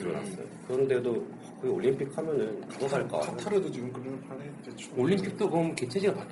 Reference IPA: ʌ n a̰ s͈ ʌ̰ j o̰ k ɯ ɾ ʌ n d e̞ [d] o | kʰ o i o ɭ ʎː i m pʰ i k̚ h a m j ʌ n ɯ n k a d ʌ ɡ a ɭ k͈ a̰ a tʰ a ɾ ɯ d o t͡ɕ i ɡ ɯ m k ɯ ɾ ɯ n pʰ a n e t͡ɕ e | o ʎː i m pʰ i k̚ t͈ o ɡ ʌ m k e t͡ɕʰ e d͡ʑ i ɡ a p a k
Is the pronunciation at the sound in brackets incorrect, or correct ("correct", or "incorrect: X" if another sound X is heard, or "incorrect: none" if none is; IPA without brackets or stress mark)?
correct